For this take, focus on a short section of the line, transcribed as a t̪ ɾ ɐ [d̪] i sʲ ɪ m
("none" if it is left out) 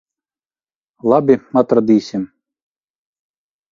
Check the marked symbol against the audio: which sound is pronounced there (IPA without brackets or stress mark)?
d̪